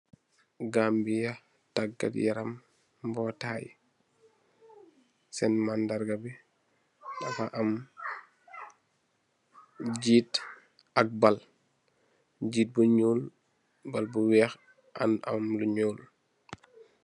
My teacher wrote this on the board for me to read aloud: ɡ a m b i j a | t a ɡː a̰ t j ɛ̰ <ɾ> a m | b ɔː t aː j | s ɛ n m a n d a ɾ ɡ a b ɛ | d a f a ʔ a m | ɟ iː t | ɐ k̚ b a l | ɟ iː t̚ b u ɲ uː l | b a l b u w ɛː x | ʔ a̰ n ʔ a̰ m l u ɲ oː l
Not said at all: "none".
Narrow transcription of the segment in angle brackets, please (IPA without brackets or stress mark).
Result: ɾ